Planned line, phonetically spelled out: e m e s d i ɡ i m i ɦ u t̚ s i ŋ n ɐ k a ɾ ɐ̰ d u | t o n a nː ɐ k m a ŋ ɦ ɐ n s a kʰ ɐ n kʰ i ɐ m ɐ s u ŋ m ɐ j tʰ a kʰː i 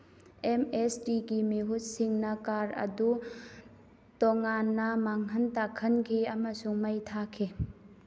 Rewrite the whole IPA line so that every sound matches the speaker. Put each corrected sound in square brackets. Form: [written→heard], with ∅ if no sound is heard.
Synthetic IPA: e m e s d i ɡ i m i ɦ u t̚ s i ŋ n ɐ k a ɾ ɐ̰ d u | t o [n→ŋ] a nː ɐ [k→∅] m a ŋ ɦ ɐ n [s→t] a kʰ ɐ n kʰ i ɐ m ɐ s u ŋ m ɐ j tʰ a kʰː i